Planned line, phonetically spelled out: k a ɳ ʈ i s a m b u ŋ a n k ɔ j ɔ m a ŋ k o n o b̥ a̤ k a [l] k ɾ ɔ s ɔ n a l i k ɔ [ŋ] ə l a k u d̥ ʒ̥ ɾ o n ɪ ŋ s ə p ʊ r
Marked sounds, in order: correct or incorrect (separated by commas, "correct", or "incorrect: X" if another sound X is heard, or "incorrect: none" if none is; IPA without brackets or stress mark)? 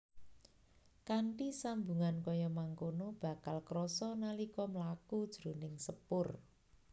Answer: correct, incorrect: m